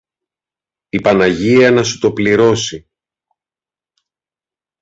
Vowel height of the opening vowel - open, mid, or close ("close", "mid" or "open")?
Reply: close